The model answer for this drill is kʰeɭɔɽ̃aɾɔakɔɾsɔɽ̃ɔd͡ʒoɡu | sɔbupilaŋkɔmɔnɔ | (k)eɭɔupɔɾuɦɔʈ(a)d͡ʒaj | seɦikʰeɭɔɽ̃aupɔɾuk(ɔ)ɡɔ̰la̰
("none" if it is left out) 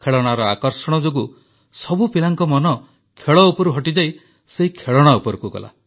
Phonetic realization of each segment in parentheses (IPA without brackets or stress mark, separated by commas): kʰ, i, u